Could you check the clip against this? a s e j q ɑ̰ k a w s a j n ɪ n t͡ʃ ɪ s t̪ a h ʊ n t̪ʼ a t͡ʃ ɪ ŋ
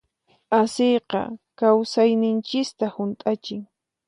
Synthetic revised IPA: a s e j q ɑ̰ k a w s a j n ɪ n t͡ʃ ɪ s t̪ a h ʊ n t̪ʼ a t͡ʃ ɪ ŋ